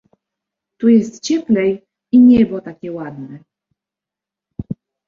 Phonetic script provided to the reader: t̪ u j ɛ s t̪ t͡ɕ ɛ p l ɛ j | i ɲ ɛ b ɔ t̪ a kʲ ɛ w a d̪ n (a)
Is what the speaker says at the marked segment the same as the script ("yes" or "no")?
no